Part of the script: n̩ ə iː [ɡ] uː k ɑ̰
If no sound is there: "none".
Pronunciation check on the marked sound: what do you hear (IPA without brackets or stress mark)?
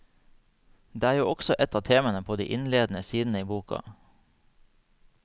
b